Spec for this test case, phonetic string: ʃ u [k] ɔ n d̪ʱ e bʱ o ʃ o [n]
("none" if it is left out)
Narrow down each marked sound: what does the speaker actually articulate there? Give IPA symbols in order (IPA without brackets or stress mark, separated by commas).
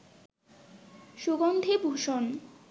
ɡ, n